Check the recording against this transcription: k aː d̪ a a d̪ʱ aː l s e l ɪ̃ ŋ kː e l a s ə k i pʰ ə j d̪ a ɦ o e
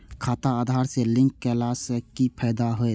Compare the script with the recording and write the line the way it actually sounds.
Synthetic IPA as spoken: kʰ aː t̪ a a d̪ʱ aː ɾ s e l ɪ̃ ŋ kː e l a s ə k i pʰ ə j d̪ a ɦ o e